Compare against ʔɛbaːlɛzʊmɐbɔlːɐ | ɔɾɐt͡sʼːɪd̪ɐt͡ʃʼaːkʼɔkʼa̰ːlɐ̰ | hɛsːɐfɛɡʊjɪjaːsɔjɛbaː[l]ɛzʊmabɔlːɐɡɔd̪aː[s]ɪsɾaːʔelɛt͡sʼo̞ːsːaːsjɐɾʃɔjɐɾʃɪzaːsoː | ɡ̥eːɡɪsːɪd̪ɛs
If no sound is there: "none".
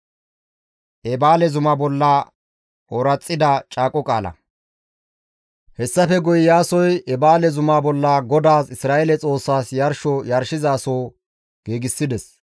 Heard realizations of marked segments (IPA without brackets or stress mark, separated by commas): l, s